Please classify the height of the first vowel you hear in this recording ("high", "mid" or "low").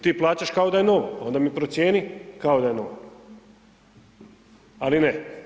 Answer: high